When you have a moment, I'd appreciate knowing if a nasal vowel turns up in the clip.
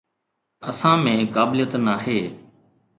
yes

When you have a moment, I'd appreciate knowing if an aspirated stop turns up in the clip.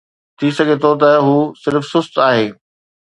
yes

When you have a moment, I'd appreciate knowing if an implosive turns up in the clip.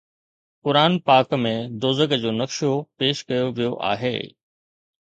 no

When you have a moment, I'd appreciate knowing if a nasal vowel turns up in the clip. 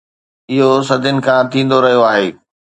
yes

